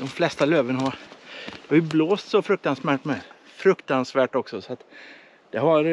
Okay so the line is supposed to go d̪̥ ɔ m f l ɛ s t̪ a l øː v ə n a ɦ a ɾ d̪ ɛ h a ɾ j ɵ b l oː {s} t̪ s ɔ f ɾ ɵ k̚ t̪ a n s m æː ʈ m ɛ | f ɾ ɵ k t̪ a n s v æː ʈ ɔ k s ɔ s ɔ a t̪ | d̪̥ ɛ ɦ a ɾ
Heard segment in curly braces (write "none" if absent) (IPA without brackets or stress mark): s